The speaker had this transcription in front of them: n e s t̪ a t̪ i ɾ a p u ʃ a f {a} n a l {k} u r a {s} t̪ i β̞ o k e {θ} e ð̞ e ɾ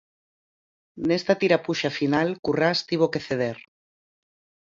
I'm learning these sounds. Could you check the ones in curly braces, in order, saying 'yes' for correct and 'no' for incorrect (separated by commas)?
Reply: no, yes, yes, yes